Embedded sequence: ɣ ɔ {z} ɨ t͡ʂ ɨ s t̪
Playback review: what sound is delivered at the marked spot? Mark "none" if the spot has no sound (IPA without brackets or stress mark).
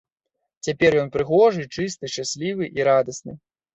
ʐ